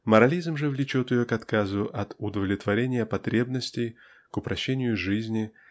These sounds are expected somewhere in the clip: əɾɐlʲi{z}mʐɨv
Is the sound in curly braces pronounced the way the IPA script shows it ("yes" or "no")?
yes